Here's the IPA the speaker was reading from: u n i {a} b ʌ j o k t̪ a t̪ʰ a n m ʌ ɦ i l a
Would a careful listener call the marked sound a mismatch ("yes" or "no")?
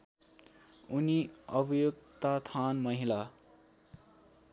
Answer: yes